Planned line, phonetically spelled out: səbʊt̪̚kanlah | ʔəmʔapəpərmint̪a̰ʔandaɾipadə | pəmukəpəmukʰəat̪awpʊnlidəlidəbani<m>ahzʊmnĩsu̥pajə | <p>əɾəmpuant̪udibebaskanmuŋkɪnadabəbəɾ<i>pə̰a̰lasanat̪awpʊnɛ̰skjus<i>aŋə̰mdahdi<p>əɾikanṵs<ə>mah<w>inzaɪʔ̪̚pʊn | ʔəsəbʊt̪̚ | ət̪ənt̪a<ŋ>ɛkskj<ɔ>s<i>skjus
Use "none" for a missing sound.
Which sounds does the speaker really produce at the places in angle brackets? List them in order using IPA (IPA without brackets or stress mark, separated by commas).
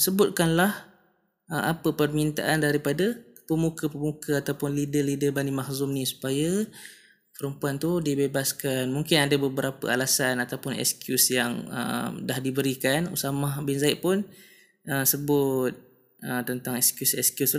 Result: m, p, a, j, b, a, b, ŋ, u, ɛ